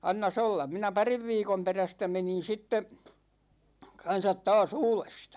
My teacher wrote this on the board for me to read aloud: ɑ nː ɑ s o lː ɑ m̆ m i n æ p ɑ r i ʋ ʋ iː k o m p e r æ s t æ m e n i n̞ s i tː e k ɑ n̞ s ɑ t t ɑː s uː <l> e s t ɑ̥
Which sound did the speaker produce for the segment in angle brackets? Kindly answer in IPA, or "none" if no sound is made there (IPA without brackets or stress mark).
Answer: l